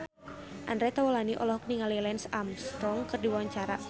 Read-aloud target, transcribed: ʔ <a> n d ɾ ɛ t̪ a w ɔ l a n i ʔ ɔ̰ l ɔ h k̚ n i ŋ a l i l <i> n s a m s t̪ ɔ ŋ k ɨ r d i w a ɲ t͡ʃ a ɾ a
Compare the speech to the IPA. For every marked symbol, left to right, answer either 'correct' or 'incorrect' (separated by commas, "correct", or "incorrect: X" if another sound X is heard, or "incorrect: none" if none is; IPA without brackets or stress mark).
correct, incorrect: ɛ